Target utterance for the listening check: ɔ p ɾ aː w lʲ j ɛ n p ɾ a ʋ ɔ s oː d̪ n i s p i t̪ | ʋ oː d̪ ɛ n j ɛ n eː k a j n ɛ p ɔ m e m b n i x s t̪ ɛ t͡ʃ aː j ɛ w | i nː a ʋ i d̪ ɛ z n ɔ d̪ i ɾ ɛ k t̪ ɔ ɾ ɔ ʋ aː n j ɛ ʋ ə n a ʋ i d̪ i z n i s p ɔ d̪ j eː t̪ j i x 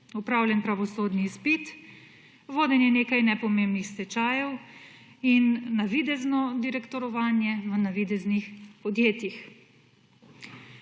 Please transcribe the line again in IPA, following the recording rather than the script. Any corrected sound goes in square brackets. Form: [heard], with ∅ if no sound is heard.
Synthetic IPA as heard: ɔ p ɾ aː w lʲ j ɛ n p ɾ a ʋ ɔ s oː d̪ n i s p i t̪ | ʋ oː d̪ ɛ n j ɛ n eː k a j n ɛ p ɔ m e m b n i x s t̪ ɛ t͡ʃ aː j ɛ w | i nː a ʋ i d̪ ɛ z n ɔ d̪ i ɾ ɛ k t̪ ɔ ɾ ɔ ʋ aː n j ɛ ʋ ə n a ʋ i d̪ [ɛ] z n i [x] p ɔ d̪ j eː t̪ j i x